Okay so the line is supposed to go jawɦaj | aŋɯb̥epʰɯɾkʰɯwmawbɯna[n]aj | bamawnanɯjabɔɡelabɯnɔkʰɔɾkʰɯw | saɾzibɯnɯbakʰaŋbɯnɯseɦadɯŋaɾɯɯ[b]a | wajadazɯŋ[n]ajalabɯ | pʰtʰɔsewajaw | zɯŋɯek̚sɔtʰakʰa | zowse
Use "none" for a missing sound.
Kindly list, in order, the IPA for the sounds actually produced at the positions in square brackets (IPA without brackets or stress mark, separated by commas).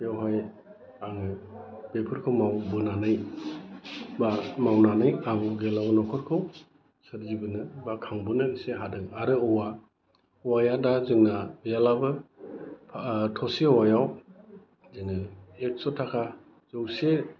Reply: n, w, n